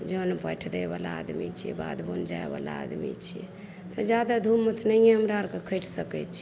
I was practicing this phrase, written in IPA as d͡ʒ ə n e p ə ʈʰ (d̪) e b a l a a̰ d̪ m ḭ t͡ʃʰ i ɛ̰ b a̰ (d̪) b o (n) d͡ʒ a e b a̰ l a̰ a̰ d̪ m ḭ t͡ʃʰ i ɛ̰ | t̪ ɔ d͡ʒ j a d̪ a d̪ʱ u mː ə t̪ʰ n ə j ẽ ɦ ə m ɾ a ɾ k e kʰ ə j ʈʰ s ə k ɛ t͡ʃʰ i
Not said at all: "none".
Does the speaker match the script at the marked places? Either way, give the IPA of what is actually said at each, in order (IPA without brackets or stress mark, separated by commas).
d̪, d̪, n